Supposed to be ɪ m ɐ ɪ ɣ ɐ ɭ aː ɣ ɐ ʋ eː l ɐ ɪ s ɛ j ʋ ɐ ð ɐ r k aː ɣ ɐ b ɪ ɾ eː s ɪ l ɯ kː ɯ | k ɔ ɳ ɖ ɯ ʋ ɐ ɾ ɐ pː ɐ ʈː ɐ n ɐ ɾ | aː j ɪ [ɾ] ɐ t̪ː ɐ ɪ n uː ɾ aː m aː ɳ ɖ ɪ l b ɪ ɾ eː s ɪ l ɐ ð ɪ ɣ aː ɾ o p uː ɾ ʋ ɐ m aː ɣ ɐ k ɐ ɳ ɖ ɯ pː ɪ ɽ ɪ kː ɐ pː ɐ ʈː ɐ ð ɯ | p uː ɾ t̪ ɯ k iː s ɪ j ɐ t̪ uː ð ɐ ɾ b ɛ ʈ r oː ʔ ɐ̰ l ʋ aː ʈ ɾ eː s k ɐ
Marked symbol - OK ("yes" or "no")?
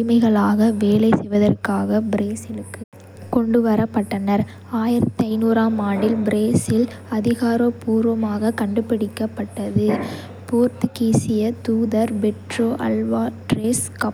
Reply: yes